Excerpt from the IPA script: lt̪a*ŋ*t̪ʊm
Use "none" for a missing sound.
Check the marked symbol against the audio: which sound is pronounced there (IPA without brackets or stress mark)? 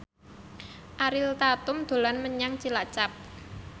none